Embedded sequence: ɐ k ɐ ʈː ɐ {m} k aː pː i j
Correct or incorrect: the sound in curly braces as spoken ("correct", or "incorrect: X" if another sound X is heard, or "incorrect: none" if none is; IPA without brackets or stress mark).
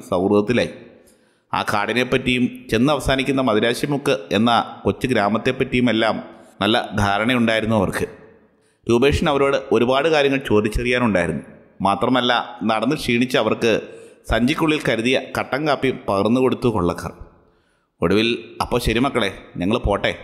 incorrect: ŋ